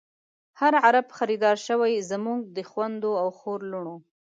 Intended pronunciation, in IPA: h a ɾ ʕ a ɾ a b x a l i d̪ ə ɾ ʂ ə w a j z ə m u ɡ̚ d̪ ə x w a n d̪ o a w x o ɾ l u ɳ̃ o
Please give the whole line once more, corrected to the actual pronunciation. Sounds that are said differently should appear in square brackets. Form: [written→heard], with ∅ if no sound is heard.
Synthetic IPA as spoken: h a ɾ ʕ a ɾ a b x a [l→ɾ] i d̪ [ə→ɑ] ɾ [ʂ→ʃ] ə w a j z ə m u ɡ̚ d̪ ə x w a n d̪ o a w x o ɾ l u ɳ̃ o